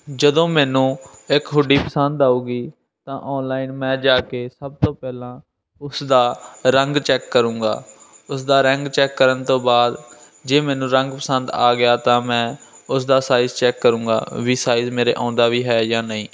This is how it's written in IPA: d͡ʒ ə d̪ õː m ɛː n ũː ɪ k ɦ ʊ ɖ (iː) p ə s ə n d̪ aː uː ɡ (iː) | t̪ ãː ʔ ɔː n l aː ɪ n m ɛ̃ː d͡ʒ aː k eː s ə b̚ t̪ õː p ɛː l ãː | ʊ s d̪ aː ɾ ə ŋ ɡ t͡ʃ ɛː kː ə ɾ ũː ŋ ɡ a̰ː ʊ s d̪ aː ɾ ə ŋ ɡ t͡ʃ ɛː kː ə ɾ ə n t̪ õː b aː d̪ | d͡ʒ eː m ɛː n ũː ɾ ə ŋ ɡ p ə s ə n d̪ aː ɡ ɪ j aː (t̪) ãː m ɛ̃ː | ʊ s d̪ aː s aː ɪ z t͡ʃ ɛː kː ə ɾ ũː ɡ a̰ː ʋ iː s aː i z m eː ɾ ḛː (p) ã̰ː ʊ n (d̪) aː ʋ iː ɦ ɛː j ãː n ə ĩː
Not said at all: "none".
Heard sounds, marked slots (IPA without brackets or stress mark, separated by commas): iː, iː, t̪, ʔ, d̪